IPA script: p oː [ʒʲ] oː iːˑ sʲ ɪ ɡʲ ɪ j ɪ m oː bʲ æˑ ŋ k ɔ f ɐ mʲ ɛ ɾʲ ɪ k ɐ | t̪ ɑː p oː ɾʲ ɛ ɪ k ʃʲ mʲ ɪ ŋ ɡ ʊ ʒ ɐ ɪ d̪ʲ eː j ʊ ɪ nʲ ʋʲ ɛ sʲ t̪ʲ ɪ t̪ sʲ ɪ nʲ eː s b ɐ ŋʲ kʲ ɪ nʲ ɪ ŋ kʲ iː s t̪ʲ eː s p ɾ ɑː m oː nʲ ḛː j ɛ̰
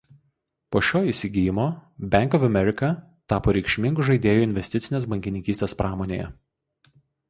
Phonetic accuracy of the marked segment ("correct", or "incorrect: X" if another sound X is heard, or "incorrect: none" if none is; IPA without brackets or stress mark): incorrect: ʃʲ